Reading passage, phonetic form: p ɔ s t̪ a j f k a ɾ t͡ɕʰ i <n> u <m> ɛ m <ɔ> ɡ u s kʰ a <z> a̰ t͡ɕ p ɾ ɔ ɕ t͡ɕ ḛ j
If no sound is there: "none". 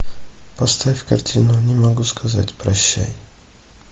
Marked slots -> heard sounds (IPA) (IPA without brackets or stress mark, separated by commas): n, ɲ, ɔ, z